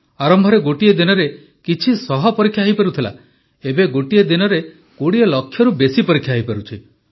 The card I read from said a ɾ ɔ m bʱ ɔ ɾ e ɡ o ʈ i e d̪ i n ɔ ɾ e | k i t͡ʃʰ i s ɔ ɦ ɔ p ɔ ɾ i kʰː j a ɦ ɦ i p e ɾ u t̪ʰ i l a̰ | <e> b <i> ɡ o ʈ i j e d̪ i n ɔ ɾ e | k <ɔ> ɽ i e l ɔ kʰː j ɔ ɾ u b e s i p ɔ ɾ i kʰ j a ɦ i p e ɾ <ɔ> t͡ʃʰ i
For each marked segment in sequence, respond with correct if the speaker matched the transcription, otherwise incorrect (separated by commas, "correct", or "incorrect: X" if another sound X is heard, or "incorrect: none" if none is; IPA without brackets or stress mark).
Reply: correct, incorrect: e, incorrect: o, incorrect: u